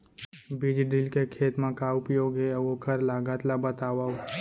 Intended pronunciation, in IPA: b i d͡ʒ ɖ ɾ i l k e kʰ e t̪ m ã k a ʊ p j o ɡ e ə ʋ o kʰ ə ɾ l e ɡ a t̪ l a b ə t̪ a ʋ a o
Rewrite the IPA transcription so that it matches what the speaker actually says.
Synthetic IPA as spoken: b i d͡ʒ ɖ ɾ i l k e kʰ e t̪ m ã k a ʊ p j o ɡ e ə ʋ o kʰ ə ɾ l a ɡ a t̪ l a b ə t̪ a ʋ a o